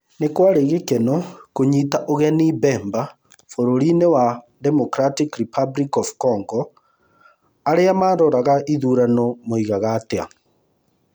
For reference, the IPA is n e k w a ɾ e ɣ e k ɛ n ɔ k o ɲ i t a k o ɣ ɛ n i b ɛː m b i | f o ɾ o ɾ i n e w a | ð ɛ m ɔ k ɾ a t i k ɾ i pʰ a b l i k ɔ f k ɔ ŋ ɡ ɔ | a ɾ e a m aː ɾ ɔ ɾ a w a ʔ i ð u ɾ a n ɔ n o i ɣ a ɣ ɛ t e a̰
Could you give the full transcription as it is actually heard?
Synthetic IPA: n e k w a ɾ e ɣ e k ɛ n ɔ k o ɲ i t a ʔ o ɣ ɛ n i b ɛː m b a | f o ɾ o ɾ i n e w a | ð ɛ m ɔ k ɾ a t i k ɾ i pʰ a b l i k ɔ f k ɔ ŋ ɡ ɔ | a ɾ e a m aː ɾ ɔ ɾ a ɣ a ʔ i ð u ɾ a n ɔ m o i ɣ a ɣ a t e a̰